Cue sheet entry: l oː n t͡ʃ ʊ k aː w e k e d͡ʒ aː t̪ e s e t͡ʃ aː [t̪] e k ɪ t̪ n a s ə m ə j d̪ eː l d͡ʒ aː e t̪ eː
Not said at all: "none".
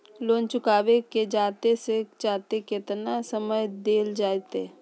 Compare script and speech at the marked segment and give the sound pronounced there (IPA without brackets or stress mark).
t̪